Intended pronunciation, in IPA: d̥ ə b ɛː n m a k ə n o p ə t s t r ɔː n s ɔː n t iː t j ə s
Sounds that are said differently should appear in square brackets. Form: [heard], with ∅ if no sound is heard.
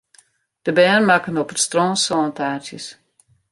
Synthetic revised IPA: d̥ ə b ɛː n m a k ə n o p ə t s t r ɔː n s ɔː n t [aː] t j ə s